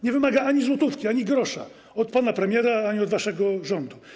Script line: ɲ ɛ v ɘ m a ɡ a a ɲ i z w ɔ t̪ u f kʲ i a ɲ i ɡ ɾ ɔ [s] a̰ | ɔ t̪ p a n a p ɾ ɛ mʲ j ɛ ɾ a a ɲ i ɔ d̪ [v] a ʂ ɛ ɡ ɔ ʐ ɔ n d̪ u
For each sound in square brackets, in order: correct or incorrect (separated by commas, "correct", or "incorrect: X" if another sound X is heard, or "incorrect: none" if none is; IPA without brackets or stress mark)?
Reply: incorrect: ʂ, correct